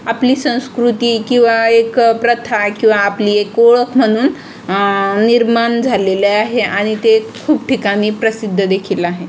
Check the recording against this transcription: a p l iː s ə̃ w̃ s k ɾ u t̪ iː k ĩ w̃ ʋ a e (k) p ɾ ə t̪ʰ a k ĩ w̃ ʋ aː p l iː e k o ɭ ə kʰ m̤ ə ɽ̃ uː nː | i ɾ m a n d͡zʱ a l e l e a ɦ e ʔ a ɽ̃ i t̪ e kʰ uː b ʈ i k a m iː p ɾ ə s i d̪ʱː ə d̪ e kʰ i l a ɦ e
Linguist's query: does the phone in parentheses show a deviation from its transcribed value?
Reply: no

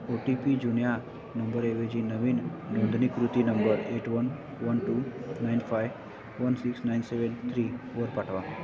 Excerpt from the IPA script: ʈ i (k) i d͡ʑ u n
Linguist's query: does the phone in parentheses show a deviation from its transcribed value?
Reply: yes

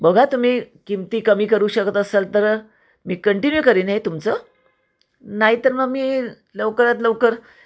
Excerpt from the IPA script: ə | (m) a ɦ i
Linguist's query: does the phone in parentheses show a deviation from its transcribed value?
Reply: yes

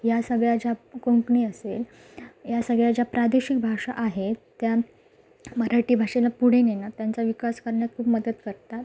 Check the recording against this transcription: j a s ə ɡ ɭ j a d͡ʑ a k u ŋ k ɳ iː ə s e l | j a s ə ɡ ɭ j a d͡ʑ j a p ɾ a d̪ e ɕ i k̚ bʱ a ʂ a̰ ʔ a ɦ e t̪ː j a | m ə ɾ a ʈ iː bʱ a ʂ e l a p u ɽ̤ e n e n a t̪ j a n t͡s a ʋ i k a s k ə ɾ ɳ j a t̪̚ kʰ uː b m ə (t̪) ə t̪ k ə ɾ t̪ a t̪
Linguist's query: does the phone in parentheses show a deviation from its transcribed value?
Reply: yes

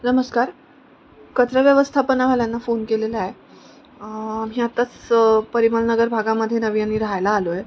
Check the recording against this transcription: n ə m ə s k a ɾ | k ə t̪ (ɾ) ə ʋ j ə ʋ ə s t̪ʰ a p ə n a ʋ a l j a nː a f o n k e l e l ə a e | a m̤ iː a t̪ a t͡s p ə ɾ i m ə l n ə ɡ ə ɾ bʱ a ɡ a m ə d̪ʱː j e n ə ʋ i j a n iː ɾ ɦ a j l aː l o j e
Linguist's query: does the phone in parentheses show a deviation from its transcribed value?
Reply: no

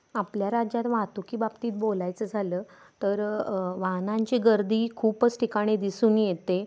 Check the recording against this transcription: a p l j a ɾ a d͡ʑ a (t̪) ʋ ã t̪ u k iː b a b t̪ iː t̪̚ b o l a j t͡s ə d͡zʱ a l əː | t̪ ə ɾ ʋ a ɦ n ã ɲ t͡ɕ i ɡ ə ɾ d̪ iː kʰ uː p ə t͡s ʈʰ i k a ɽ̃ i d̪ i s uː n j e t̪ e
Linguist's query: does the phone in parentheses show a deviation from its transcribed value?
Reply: no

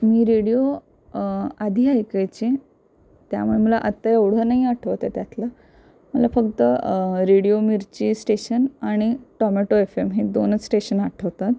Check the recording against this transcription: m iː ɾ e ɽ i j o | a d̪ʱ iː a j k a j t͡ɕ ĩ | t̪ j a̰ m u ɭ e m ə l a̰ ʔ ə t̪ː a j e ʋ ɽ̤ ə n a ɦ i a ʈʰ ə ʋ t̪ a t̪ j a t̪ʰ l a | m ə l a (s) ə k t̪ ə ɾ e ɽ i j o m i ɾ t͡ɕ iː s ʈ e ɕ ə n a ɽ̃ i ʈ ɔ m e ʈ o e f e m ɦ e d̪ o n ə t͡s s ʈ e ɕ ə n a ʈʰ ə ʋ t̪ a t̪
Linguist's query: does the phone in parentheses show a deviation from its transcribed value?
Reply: yes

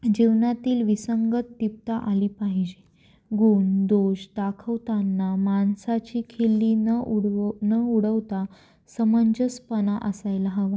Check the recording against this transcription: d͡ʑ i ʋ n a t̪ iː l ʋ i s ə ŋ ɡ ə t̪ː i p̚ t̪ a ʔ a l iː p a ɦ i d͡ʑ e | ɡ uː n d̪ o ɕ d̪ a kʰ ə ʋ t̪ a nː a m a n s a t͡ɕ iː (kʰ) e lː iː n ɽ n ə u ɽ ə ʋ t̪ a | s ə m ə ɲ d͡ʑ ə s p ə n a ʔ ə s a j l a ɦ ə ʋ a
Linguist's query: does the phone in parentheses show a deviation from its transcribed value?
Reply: no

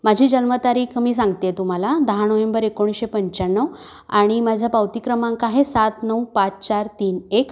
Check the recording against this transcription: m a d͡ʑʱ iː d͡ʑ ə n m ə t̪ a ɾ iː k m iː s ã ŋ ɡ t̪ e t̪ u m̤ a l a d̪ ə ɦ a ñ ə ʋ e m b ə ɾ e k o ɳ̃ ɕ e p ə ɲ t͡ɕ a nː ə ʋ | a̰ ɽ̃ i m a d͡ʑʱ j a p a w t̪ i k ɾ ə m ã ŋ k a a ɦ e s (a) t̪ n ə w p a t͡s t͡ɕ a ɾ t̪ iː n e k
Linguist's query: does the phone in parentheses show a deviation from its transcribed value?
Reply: no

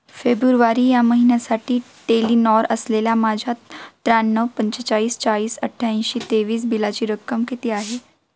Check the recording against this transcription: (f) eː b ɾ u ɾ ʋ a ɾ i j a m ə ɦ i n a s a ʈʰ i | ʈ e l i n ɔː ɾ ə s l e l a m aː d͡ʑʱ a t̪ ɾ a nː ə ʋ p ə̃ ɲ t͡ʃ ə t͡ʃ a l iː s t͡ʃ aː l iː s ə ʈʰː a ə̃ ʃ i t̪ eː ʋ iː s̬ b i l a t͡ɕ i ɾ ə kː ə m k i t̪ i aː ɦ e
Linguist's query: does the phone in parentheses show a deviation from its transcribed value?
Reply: no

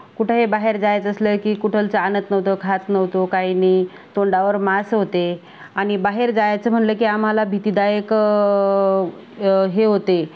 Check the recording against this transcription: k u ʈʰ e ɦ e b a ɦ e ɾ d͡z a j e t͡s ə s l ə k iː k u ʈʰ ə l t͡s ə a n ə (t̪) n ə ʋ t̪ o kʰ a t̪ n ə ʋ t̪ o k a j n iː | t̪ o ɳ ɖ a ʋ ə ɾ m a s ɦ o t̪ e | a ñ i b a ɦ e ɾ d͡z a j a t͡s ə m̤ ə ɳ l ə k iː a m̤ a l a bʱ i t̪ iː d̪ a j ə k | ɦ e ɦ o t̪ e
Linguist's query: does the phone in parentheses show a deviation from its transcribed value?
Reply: no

